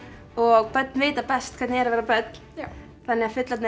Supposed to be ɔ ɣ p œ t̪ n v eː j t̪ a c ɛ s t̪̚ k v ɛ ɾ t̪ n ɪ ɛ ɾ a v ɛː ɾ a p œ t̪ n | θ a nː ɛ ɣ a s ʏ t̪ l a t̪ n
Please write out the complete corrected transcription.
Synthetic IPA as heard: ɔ ɣ p œ t̪ n v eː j t̪ a p ɛ s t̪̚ kʰ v ɛ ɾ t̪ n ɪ ɛ ɾ a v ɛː ɾ a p œ t̪ n | θ a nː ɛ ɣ a f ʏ t̪ l a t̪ n